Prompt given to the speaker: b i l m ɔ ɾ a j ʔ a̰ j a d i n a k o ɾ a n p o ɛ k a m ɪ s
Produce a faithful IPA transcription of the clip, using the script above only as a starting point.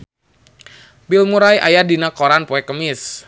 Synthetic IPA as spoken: b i l m u ɾ a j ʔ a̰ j a d i n a k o ɾ a n p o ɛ k ə m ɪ s